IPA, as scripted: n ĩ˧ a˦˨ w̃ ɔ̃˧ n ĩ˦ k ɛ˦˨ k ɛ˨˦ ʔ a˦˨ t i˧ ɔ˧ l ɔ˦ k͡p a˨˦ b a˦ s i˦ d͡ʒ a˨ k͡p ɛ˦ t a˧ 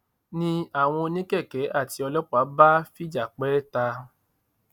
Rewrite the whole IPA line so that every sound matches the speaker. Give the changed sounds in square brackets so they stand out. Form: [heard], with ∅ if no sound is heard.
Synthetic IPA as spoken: n ĩ˧ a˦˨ w̃ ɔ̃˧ n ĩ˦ k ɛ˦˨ k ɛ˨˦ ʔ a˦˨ t i˧ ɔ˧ l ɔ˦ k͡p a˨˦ b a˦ [f] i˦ d͡ʒ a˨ k͡p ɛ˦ t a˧